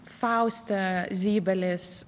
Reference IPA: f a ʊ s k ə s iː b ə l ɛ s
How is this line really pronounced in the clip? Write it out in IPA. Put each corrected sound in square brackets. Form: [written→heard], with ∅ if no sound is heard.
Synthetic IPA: f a ʊ s [k→t] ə [s→z] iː b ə l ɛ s